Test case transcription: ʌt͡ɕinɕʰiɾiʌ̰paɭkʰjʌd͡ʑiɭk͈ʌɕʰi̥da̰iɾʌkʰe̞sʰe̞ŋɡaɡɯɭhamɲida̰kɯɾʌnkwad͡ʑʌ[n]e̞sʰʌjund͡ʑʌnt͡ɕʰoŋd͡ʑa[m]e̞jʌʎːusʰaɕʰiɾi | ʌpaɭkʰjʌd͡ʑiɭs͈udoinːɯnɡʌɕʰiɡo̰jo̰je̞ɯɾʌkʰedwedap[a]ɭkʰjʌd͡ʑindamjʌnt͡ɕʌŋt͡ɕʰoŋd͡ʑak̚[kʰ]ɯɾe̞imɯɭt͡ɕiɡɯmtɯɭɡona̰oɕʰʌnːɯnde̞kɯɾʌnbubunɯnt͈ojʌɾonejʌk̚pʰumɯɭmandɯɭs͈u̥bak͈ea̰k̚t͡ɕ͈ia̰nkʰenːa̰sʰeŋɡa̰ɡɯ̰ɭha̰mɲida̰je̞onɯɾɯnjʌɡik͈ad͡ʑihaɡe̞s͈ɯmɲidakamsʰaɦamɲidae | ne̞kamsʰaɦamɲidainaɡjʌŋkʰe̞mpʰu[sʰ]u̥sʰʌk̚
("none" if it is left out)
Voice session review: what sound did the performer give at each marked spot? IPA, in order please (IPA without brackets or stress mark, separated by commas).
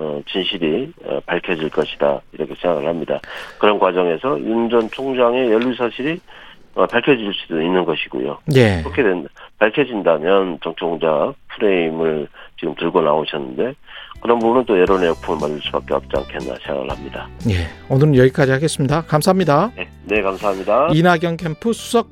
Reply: ŋ, ŋ, a, pʰ, sʰ